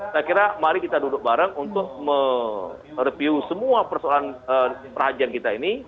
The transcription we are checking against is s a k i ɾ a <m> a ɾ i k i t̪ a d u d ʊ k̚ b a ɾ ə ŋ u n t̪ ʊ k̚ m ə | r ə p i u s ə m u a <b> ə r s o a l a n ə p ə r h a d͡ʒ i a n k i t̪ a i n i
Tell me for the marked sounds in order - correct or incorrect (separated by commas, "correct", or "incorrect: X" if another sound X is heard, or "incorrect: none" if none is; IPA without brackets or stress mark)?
correct, incorrect: p